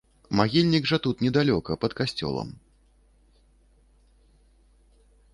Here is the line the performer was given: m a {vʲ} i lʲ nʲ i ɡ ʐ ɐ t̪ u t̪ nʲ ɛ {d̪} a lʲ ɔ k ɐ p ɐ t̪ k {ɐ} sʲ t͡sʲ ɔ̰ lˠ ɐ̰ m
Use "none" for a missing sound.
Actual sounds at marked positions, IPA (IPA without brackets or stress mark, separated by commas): ɣʲ, d̪, a